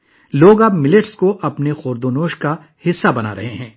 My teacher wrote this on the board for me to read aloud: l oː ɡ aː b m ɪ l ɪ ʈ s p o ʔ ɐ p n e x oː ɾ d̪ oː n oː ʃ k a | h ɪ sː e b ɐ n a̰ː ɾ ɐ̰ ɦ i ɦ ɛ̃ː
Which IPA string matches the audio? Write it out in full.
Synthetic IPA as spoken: l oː ɡ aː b m ɪ l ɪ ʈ s k o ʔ ɐ p n e x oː ɾ d̪ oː n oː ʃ k a | h ɪ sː a b ɐ n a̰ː ɾ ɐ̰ ɦ e ɦ ɛ̃ː